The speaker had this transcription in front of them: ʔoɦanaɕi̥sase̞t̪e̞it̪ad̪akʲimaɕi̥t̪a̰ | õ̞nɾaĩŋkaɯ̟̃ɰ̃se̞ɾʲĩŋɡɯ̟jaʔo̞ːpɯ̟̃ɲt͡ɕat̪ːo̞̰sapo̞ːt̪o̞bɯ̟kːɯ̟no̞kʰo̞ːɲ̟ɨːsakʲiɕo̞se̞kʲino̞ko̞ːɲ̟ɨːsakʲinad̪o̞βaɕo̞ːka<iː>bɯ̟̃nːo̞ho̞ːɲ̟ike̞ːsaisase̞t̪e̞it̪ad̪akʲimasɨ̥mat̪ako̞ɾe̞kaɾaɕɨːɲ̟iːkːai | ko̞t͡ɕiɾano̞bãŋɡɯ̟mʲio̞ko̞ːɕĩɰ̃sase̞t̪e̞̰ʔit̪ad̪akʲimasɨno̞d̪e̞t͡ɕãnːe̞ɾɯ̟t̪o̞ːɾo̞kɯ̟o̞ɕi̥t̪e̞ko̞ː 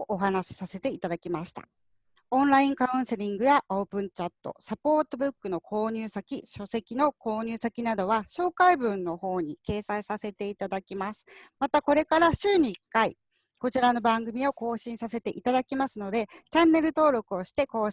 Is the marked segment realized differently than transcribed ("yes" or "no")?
yes